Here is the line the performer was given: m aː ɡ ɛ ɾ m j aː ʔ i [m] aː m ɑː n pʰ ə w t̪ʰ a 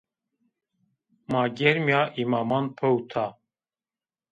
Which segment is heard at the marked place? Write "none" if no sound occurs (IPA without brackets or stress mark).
m